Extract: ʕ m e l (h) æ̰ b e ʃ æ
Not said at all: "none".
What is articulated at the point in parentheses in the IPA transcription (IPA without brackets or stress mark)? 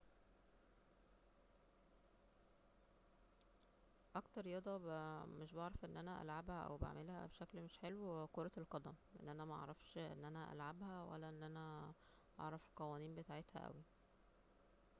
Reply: h